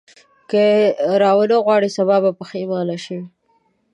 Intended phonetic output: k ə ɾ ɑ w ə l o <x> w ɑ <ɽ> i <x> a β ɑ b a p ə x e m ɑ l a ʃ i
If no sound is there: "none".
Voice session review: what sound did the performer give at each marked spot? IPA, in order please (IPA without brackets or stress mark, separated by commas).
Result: ɣ, ɽ, s